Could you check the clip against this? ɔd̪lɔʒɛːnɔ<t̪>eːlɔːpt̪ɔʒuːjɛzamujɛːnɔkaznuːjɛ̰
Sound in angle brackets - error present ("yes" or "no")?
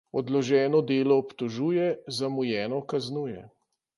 yes